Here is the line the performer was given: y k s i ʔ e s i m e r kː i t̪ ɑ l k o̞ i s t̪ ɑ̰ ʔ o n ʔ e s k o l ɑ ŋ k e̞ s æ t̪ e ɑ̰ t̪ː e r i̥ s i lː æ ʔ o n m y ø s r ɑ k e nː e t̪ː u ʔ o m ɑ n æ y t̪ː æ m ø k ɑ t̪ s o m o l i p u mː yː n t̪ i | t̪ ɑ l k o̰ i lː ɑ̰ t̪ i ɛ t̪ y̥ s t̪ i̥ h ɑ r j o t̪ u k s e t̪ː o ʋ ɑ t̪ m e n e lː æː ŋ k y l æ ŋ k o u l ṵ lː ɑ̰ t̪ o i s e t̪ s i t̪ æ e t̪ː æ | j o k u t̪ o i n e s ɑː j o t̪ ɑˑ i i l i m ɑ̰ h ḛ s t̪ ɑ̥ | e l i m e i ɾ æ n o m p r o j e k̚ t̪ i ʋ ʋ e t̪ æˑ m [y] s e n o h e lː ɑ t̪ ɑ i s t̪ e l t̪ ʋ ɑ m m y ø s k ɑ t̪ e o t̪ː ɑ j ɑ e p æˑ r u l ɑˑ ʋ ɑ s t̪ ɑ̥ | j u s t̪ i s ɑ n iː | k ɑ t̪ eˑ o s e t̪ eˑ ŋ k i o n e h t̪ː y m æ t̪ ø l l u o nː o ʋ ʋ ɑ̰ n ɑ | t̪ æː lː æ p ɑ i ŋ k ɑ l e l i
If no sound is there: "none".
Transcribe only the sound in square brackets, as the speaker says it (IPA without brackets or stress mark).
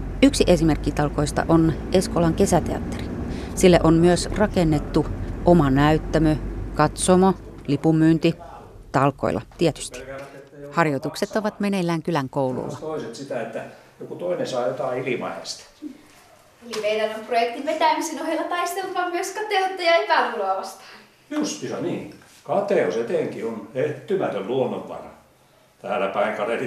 i